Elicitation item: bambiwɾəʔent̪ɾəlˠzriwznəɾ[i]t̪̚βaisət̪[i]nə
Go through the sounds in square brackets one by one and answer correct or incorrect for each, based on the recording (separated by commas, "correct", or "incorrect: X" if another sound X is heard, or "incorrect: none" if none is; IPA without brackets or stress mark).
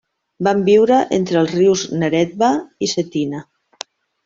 incorrect: ɛ, correct